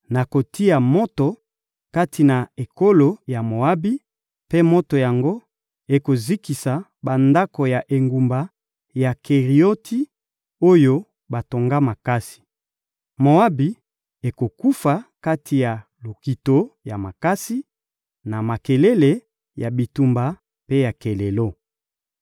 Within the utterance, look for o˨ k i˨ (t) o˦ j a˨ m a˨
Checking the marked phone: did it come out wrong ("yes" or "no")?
no